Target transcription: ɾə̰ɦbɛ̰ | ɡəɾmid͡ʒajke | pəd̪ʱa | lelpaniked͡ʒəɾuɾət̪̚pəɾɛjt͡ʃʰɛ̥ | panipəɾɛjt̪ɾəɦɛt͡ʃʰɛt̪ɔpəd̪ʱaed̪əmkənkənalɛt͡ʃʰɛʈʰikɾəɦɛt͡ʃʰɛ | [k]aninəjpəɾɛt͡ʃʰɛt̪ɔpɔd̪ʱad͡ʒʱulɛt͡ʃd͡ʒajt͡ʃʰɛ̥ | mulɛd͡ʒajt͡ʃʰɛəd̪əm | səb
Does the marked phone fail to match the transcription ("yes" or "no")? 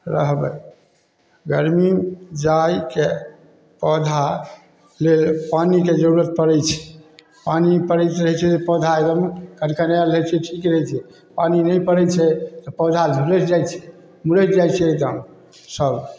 yes